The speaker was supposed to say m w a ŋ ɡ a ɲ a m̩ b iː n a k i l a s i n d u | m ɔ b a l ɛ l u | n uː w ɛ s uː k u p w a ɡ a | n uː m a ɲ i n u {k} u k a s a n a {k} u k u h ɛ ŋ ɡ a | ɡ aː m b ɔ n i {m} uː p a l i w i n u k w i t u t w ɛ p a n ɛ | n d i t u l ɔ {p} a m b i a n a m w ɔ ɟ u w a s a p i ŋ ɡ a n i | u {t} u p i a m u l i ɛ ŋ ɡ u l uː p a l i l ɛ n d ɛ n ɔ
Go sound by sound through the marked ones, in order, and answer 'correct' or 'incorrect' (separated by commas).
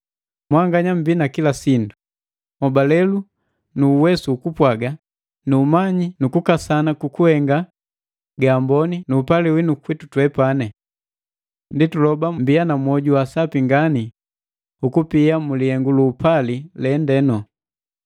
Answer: correct, correct, incorrect, incorrect, incorrect